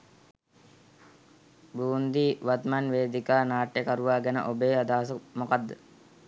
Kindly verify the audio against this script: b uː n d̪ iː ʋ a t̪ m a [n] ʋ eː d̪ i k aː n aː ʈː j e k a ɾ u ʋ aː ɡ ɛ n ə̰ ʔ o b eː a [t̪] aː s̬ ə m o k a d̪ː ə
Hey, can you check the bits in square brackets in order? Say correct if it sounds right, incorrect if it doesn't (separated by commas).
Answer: correct, incorrect